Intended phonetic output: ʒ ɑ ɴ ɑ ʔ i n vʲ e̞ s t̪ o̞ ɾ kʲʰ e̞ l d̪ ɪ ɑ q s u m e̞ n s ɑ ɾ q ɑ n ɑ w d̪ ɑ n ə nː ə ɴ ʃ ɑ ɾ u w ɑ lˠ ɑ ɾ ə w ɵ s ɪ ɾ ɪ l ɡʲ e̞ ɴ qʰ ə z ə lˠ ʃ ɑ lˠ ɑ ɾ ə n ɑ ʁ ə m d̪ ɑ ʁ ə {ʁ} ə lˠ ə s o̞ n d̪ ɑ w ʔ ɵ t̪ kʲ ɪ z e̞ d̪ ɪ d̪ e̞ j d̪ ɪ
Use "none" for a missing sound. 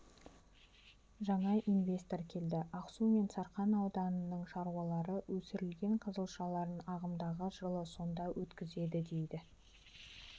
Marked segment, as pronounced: ʒ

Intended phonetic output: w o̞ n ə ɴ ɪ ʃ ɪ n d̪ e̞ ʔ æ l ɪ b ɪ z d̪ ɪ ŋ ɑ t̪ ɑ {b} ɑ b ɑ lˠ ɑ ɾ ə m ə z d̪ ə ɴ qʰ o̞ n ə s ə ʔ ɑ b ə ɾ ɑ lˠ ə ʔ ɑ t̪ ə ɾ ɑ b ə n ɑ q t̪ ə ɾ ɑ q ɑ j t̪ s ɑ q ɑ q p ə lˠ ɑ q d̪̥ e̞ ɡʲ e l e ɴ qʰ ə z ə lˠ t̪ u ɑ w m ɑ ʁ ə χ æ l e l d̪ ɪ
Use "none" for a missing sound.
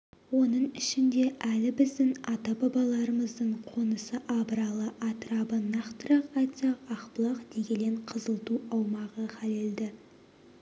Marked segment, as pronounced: b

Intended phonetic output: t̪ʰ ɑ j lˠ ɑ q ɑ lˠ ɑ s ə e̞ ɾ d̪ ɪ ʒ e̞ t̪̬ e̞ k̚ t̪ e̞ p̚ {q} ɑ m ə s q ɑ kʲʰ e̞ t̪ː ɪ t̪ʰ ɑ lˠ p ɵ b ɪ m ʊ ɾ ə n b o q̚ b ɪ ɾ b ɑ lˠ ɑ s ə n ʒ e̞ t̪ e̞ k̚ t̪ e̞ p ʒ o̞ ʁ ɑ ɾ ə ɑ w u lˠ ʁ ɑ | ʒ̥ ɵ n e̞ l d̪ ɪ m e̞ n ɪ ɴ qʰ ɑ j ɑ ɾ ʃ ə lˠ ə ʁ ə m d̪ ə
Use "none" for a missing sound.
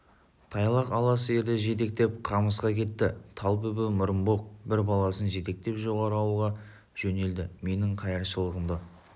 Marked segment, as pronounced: qʰ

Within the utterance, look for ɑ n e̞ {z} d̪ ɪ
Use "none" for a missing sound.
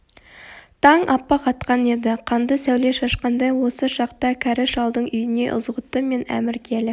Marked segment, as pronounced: none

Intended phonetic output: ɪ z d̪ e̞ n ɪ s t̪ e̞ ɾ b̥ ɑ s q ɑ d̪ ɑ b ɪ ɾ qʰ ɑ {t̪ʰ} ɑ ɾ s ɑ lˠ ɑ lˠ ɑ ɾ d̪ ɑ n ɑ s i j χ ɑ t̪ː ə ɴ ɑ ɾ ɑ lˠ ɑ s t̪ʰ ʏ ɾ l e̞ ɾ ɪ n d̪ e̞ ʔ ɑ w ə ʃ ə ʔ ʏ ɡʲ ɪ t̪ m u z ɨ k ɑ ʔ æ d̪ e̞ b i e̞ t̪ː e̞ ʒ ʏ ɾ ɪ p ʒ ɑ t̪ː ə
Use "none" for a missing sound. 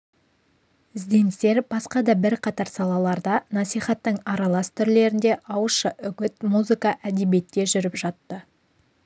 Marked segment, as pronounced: t̪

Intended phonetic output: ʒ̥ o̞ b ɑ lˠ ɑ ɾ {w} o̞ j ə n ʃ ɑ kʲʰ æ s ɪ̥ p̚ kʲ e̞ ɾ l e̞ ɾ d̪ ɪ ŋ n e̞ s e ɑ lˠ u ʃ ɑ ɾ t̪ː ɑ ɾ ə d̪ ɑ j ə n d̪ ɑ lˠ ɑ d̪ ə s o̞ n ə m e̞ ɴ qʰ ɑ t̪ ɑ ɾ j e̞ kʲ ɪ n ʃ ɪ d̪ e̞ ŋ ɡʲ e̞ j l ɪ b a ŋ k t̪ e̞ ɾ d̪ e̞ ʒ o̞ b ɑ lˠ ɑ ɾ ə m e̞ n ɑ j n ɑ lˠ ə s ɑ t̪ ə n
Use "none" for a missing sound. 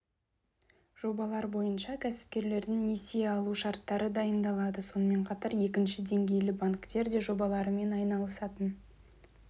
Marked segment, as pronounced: b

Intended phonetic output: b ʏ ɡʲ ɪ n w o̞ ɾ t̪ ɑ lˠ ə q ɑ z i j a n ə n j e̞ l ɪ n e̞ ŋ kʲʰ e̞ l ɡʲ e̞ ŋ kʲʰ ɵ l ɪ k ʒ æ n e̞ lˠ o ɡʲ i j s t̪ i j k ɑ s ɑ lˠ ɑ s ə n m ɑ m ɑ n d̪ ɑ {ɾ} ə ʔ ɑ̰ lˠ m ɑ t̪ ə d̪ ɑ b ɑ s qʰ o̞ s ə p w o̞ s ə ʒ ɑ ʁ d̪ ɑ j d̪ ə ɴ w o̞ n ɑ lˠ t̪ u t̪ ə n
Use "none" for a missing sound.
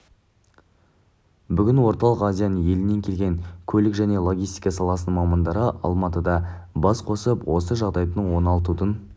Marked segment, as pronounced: ɾ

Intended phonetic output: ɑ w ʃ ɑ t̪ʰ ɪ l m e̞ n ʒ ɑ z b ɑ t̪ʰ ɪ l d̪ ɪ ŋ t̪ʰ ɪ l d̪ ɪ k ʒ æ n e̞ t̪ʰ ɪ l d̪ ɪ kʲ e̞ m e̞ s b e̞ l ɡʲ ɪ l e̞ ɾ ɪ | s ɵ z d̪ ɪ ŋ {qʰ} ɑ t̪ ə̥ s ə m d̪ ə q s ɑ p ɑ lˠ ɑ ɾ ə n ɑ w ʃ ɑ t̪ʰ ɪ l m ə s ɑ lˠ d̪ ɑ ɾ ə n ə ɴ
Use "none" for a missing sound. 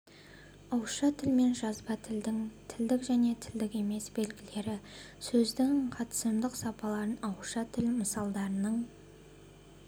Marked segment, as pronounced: qʰ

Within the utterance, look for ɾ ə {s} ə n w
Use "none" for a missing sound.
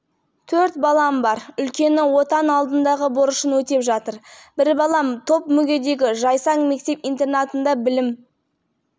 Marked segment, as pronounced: ʃ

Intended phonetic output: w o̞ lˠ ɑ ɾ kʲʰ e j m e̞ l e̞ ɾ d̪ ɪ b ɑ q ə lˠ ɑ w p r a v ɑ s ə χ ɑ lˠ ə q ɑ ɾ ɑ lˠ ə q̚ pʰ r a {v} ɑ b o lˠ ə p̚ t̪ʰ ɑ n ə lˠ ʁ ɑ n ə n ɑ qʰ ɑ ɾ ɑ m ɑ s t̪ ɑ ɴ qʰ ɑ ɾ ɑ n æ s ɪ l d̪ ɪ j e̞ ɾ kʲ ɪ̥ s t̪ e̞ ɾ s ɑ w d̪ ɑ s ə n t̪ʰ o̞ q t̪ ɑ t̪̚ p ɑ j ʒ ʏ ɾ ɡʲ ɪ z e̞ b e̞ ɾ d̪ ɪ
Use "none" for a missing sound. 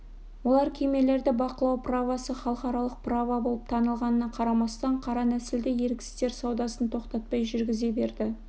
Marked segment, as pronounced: v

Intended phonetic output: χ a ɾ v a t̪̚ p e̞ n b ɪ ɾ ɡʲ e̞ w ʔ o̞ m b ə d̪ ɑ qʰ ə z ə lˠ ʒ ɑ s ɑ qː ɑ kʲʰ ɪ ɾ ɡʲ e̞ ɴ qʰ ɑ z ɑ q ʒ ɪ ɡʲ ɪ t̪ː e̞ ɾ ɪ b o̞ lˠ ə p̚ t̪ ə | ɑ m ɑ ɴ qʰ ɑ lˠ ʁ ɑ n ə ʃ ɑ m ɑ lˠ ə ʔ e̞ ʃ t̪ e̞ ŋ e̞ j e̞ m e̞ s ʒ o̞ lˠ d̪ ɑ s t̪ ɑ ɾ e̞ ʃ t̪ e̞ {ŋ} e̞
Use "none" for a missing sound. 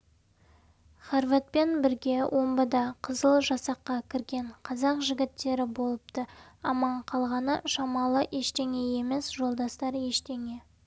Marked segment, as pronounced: ŋ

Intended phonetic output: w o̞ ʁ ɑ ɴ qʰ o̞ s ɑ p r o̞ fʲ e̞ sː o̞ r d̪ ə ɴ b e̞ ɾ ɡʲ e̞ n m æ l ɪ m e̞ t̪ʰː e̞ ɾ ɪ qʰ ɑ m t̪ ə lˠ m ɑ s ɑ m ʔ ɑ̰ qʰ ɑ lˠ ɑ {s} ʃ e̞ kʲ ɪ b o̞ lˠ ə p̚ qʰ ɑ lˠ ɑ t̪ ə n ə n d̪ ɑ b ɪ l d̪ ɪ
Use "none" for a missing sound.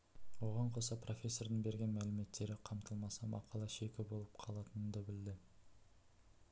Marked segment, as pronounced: none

